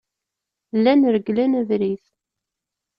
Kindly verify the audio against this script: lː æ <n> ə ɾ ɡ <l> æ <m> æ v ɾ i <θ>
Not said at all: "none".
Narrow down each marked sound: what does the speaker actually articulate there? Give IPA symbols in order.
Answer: n, l, n, θ

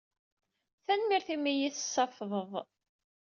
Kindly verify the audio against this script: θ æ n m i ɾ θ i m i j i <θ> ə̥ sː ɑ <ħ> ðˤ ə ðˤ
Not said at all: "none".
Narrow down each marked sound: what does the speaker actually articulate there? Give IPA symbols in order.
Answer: θ, f

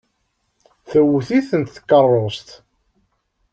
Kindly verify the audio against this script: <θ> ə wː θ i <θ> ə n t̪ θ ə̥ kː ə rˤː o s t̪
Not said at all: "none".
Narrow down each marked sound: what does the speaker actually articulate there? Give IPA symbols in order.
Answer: θ, θ

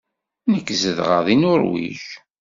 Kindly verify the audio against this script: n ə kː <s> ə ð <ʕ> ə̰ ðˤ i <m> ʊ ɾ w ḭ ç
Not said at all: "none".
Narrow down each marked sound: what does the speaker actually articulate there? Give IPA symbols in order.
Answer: z, ʁ, n

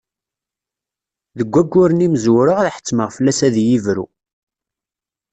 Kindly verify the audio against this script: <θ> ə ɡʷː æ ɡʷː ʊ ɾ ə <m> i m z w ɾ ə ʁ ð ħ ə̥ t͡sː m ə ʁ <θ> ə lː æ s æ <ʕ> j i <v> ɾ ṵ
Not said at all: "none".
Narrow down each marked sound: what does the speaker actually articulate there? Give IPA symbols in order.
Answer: ð, n, f, ð, v

